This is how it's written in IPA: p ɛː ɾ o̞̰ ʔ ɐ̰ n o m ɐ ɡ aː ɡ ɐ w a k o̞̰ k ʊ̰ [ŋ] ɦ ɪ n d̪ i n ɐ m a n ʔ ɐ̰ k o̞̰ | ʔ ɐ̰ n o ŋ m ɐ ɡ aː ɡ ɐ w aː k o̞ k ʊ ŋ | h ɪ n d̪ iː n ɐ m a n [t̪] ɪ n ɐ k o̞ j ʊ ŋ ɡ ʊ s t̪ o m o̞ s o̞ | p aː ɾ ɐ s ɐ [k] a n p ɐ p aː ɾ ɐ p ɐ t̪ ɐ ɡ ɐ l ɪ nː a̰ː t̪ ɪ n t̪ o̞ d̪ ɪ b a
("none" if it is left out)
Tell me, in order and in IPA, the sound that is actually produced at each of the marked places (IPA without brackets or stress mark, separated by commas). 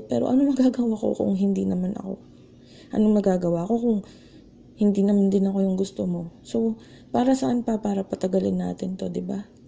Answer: ŋ, d̪, ʔ